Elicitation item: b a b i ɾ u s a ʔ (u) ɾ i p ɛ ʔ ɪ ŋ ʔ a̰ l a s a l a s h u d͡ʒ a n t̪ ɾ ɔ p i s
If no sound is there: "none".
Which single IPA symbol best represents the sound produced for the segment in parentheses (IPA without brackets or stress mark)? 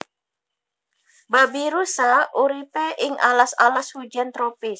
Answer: u